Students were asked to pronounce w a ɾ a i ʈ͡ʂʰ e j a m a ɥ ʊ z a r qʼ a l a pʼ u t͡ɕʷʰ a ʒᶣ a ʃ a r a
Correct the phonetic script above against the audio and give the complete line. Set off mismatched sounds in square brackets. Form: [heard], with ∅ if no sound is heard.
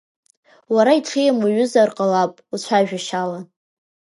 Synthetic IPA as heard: w a ɾ a i ʈ͡ʂʰ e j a m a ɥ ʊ z a r qʼ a l a pʼ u t͡ɕʷʰ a ʒᶣ a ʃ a [l] a